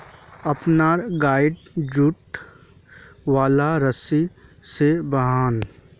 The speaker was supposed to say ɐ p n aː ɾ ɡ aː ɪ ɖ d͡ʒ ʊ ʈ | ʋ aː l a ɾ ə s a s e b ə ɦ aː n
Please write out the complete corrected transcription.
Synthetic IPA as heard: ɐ p n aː ɾ ɡ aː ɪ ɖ d͡ʒ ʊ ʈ | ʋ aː l a ɾ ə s i s e b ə ɦ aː n